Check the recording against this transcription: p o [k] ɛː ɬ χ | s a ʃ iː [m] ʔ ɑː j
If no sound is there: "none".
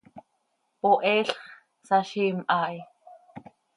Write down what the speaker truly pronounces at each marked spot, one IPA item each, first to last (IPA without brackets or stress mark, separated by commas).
ʔ, m